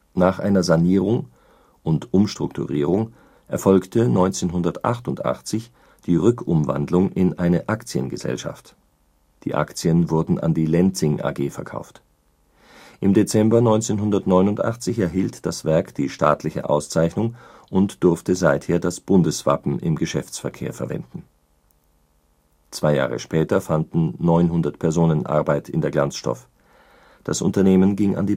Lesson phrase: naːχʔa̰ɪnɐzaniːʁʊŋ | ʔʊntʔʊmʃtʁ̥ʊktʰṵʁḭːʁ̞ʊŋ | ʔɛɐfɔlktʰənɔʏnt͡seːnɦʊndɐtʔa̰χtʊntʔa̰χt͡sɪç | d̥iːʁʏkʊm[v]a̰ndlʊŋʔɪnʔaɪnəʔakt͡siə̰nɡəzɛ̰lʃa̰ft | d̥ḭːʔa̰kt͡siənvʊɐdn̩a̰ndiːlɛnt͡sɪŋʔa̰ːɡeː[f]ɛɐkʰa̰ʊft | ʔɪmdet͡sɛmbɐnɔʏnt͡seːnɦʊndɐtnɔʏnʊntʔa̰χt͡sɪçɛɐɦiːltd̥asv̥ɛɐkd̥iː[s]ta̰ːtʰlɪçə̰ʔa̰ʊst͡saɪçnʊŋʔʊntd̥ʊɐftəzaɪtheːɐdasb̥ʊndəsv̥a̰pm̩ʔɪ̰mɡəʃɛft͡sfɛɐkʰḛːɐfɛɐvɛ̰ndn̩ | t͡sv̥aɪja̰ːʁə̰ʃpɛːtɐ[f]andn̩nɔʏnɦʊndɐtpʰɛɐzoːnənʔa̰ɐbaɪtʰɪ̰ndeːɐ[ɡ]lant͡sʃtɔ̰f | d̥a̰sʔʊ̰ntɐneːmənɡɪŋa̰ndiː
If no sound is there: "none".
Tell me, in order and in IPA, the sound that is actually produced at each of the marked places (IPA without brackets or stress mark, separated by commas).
v, f, ʃ, f, ɡ